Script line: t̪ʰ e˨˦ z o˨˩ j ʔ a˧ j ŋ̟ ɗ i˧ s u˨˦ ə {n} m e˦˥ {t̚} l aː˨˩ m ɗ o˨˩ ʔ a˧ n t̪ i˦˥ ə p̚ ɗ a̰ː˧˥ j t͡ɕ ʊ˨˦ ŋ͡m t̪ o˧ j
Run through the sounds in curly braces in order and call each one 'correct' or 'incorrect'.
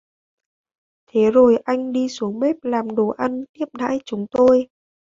incorrect: ŋ, incorrect: p̚

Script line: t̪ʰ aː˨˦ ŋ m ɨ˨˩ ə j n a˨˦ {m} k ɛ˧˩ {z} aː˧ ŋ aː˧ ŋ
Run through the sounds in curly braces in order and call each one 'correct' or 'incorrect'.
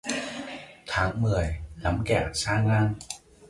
correct, incorrect: s

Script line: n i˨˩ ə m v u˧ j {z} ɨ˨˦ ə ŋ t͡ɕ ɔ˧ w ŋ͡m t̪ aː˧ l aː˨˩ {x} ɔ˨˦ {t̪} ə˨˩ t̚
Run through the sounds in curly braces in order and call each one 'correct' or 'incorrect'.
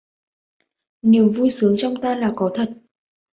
incorrect: s, incorrect: k, incorrect: t̪ʰ

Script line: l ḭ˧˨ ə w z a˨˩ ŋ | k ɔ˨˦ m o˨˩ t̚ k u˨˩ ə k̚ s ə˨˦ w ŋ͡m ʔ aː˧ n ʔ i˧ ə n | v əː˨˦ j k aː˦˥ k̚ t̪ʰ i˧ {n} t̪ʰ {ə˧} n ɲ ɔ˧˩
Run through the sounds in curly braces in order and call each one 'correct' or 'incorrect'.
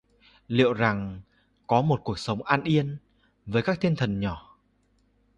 correct, incorrect: ə˨˩

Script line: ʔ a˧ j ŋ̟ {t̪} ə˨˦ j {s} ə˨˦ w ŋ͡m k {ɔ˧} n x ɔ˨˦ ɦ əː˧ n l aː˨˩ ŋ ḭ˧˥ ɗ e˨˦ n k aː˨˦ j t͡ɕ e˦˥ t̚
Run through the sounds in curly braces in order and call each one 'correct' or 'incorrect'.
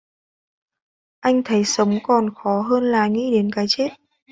incorrect: t̪ʰ, correct, incorrect: ɔ˨˩

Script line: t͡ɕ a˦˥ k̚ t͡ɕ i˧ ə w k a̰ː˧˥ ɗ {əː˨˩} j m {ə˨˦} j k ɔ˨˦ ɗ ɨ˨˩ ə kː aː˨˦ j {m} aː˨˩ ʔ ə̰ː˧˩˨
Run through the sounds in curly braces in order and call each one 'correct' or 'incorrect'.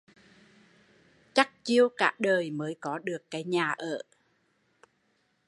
correct, incorrect: əː˨˦, incorrect: ɲ

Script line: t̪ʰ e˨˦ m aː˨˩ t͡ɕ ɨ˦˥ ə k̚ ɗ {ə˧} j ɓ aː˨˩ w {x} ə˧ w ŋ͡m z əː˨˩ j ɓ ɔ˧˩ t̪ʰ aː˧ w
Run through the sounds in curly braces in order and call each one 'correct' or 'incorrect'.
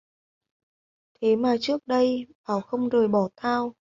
correct, correct

